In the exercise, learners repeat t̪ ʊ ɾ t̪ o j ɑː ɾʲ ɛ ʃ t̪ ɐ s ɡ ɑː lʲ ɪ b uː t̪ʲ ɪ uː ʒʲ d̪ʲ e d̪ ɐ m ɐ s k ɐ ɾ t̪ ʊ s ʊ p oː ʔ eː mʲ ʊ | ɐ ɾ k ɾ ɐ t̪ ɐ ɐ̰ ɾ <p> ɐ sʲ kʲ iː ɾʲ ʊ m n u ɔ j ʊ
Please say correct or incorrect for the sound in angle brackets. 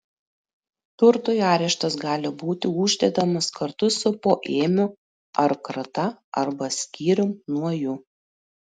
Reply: incorrect